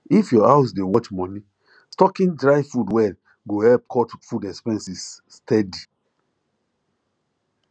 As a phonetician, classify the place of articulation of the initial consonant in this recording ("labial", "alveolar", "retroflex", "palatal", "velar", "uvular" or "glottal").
labial